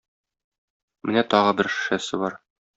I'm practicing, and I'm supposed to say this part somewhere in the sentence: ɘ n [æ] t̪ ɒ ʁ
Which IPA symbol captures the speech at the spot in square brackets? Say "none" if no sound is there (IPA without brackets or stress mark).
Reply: æ